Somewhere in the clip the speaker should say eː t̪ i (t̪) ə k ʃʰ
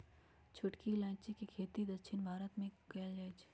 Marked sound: incorrect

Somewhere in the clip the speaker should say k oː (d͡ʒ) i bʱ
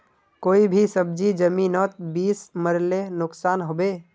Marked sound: incorrect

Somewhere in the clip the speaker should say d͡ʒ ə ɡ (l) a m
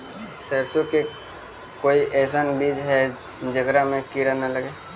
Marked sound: incorrect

